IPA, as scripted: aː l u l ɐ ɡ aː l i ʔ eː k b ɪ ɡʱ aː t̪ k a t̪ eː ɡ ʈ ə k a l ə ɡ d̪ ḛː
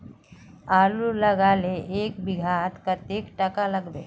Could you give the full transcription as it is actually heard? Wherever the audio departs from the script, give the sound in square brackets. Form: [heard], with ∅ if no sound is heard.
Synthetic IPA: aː l u l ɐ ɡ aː l [e] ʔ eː k b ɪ ɡʱ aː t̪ k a t̪ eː [k] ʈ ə k a l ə ɡ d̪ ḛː